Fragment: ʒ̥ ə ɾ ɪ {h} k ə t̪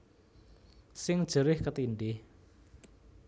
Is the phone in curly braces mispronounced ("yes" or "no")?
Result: no